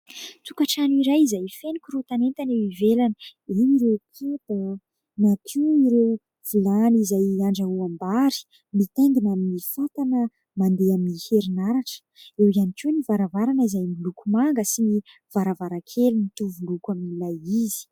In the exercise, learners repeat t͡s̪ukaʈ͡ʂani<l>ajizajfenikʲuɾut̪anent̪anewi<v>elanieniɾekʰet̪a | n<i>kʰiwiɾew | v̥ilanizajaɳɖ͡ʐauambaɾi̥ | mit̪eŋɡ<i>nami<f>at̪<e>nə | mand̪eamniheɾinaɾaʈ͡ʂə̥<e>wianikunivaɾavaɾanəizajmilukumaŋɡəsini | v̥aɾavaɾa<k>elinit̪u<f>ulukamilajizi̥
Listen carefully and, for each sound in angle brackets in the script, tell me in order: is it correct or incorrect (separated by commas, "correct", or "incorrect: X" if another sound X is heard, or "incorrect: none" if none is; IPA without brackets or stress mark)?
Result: incorrect: ɾ, correct, incorrect: a, correct, correct, incorrect: a, correct, incorrect: kʰ, incorrect: v